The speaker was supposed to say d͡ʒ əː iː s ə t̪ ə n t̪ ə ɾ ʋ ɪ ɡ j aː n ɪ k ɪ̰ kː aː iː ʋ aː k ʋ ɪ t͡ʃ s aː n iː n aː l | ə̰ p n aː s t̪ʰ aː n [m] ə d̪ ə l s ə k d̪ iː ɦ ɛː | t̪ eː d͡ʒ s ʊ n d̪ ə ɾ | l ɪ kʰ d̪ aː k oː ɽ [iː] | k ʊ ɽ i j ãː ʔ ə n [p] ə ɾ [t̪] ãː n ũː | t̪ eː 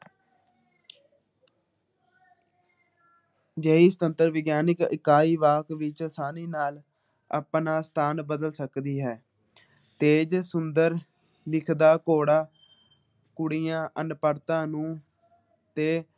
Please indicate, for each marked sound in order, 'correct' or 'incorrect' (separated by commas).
incorrect, incorrect, correct, correct